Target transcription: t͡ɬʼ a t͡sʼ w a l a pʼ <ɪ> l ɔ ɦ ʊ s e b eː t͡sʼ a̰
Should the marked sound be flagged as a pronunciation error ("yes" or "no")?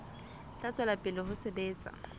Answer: no